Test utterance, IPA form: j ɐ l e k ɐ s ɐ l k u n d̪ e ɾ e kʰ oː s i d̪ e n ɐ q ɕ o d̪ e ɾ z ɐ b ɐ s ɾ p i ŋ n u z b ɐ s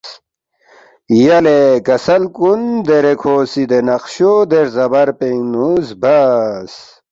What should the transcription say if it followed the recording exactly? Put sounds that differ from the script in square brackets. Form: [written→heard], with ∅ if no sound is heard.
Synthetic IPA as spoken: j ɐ l e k ɐ s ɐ l k u n d̪ e ɾ e kʰ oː s i d̪ e n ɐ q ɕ o d̪ e ɾ z ɐ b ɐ [s→∅] ɾ p [i→e] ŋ n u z b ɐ s